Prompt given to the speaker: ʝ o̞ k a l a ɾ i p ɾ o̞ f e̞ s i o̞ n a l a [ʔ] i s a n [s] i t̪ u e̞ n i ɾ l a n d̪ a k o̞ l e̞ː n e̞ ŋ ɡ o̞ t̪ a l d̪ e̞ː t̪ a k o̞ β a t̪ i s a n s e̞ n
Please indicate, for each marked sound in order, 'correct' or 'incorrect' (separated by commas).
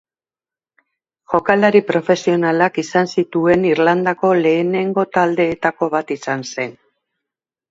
incorrect, correct